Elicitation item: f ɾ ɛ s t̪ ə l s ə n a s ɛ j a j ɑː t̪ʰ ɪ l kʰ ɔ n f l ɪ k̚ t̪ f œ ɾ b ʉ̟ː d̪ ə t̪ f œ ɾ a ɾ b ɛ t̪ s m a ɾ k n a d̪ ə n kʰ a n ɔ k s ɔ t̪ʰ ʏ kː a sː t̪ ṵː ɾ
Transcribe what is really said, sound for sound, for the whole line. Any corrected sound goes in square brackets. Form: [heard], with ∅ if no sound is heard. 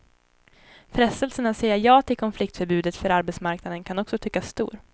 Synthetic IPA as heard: f ɾ ɛ s t̪ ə l s ə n a s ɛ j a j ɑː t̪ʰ ɪ l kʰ ɔ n f l ɪ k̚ t̪ f œ ɾ b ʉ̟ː d̪ ə t̪ f œ ɾ a ɾ b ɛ t̪ s m a ɾ k n a d̪ ə n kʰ a n ɔ k s ɔ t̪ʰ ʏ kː a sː t̪ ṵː ɾ